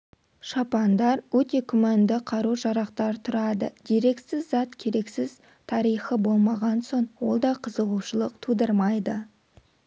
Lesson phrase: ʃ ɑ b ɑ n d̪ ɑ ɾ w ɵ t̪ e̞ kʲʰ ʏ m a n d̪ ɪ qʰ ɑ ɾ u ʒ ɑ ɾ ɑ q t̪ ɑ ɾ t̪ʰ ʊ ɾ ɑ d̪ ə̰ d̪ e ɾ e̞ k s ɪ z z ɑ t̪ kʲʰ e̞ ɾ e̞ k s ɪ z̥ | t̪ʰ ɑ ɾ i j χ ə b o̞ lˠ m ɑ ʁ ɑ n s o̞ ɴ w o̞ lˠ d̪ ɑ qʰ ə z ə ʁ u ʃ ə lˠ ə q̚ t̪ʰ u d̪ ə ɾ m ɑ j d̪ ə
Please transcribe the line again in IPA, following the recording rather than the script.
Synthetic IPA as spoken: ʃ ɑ p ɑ n d̪ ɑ ɾ w ɵ t̪ e̞ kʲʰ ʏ m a n d̪ ɪ qʰ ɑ ɾ u ʒ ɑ ɾ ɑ q t̪ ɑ ɾ t̪ʰ ʊ ɾ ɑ d̪ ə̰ d̪ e ɾ e̞ k s ɪ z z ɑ t̪ kʲʰ e̞ ɾ e̞ k s ɪ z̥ | t̪ʰ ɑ ɾ i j χ ə b o̞ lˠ m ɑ ʁ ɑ n s o̞ ɴ w o̞ lˠ d̪ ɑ qʰ ə z ə ʁ u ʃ ə lˠ ə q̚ t̪ʰ u d̪ ə ɾ m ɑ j d̪ ə